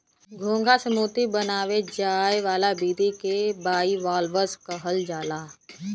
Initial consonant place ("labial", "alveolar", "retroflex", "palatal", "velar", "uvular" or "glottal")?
velar